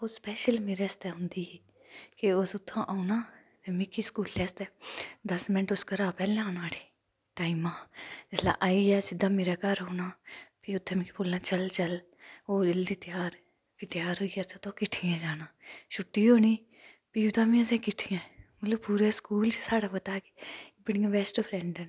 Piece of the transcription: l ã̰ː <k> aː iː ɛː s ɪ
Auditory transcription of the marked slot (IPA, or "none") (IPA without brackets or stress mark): ʔ